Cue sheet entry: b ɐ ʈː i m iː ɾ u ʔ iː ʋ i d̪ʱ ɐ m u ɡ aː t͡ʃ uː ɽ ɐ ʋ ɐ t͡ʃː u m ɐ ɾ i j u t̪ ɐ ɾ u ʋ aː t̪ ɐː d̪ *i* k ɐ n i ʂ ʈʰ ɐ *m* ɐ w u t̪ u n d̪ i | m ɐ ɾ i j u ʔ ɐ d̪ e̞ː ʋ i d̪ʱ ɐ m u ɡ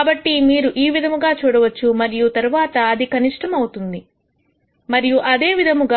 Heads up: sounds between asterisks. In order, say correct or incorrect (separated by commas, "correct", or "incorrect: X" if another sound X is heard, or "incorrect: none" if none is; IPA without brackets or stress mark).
correct, correct